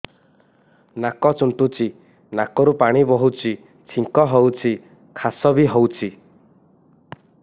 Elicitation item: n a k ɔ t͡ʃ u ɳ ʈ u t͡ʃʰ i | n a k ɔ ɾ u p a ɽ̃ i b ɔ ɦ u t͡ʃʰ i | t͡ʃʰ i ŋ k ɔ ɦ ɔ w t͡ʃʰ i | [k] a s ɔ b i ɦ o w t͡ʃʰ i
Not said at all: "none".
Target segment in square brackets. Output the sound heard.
kʰ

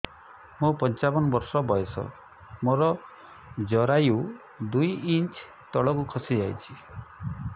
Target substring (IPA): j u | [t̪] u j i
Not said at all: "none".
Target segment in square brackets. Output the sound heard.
d̪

